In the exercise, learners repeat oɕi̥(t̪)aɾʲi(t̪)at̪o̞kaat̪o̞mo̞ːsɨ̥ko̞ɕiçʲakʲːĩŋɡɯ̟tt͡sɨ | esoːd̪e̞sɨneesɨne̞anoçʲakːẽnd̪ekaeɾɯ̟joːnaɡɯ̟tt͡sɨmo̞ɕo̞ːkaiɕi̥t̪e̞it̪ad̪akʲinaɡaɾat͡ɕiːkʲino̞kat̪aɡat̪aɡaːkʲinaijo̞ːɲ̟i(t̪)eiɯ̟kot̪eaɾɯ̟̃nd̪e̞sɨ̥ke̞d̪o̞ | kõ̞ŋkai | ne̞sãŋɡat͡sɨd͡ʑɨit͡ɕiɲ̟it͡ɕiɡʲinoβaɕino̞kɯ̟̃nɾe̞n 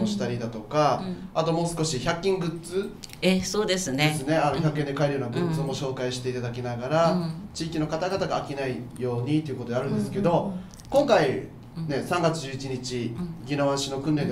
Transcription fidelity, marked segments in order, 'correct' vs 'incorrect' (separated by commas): correct, incorrect, correct